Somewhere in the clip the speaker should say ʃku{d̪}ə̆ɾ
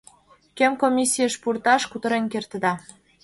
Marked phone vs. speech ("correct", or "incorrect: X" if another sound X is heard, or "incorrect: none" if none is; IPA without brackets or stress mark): incorrect: t̪